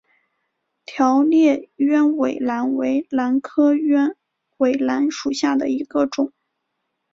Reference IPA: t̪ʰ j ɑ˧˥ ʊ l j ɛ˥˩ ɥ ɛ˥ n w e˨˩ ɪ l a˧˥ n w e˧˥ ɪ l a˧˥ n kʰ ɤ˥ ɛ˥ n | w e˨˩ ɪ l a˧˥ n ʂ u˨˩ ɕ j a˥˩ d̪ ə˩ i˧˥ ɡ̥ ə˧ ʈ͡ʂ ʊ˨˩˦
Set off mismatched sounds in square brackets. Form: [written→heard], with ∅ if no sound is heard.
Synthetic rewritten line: t̪ʰ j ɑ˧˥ ʊ l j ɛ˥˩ ɥ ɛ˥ n w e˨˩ ɪ l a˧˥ n w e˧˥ ɪ l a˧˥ n kʰ ɤ˥ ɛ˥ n | w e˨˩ ɪ l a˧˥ n ʂ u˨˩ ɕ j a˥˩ d̪ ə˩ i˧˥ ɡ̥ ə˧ ʈ͡ʂ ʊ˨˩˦